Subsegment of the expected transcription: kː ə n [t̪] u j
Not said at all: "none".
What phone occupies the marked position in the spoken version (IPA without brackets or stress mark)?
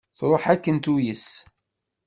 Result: t̪